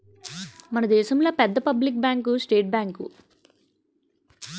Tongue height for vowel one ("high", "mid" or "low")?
low